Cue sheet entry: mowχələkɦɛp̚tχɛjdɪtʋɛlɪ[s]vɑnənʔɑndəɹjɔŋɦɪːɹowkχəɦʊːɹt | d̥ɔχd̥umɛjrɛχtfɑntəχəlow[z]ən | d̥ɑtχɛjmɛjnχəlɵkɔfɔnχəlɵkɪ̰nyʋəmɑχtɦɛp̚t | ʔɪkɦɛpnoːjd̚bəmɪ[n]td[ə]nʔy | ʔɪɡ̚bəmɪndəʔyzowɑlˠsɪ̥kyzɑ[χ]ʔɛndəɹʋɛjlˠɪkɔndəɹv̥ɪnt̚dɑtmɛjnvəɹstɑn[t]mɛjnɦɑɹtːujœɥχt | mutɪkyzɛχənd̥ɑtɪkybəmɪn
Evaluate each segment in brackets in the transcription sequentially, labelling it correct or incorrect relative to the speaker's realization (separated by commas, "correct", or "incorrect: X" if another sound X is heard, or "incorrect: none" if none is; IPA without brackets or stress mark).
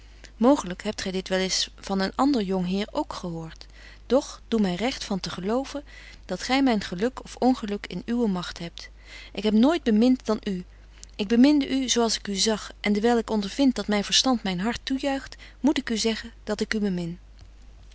correct, incorrect: v, correct, incorrect: ɑ, correct, correct